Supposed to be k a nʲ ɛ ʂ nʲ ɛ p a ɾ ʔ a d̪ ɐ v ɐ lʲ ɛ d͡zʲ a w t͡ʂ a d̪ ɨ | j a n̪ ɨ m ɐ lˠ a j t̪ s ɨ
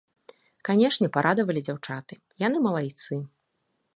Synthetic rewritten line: k a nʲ ɛ ʂ nʲ ɛ p a ɾ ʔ a d̪ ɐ v ɐ lʲ i d͡zʲ a w t͡ʂ a t̪ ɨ | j a n̪ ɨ m ɐ lˠ a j t̪ s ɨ